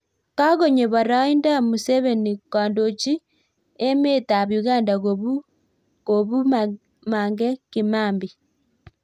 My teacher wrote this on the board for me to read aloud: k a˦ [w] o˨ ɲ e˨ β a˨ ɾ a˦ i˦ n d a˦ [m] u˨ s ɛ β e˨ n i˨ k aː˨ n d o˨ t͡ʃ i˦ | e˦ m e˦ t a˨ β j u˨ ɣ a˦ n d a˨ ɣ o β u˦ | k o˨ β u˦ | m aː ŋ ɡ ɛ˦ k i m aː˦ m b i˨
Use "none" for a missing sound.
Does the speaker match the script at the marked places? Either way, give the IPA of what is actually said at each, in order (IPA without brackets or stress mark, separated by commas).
ɣ, m